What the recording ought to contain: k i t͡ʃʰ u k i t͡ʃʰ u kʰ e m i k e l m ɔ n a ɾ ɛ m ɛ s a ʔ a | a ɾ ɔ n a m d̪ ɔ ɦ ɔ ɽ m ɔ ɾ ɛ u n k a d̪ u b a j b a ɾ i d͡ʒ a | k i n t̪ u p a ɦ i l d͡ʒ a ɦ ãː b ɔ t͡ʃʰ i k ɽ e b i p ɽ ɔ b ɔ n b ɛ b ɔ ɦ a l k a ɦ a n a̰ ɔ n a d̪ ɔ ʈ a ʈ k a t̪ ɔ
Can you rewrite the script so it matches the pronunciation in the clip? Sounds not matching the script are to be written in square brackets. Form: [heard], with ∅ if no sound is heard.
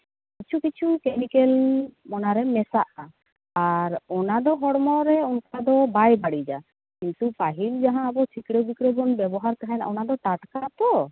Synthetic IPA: k i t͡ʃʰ u k i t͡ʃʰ u [k] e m i k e l m ɔ n a ɾ ɛ m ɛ s a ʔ a | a ɾ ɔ n a [∅] d̪ ɔ ɦ ɔ ɽ m ɔ ɾ ɛ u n k a d̪ [ɔ] b a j b a [ɽ] i d͡ʒ a | k i n t̪ u p a ɦ i l d͡ʒ a ɦ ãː b ɔ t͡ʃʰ i k ɽ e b i [k] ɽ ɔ b ɔ n b ɛ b ɔ ɦ a [ɾ] k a ɦ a n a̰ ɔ n a d̪ ɔ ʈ a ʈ k a t̪ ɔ